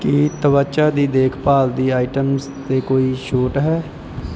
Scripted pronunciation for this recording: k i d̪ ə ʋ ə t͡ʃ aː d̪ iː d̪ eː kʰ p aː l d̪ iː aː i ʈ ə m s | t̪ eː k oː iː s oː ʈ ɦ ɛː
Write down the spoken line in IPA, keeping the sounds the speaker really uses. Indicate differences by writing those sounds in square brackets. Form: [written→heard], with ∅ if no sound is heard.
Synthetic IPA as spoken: k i [d̪→t̪] ə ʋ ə t͡ʃ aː d̪ iː d̪ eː kʰ p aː l d̪ iː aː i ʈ ə m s | t̪ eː k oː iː [s→ʃ] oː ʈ ɦ ɛː